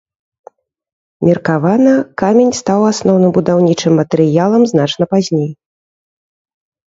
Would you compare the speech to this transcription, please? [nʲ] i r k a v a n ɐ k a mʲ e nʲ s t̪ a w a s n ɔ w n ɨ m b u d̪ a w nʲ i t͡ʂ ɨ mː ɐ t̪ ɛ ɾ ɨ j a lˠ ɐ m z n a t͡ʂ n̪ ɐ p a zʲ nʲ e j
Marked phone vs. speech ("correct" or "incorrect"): incorrect